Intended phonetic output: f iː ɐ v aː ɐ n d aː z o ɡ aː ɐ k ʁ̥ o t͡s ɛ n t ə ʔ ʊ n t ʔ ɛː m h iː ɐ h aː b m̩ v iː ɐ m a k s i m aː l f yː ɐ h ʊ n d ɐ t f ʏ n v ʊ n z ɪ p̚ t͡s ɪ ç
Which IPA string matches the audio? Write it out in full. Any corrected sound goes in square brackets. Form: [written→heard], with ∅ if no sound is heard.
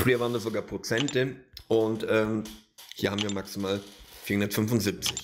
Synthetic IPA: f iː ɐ v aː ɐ n d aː z o ɡ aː ɐ [k→p] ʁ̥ o t͡s ɛ n t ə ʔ ʊ n t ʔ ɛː m h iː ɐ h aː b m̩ v iː ɐ m a k s i m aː l f [yː→iː] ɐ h ʊ n d ɐ t f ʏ n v ʊ n z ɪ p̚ t͡s ɪ ç